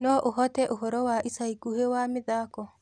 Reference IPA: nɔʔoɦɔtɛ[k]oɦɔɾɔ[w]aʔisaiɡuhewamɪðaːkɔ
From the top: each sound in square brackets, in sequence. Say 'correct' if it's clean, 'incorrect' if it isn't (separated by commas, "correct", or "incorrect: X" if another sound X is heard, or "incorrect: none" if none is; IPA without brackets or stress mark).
incorrect: ʔ, correct